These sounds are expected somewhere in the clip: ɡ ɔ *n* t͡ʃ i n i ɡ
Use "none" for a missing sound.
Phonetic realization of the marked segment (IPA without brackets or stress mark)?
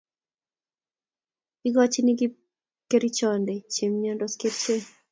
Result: none